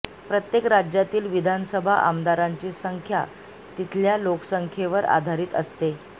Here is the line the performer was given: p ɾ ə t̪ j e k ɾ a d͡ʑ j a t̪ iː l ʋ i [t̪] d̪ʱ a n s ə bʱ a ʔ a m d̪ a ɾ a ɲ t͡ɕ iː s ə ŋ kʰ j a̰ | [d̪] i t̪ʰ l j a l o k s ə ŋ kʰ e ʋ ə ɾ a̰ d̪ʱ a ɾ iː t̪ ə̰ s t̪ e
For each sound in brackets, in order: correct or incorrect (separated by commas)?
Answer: incorrect, incorrect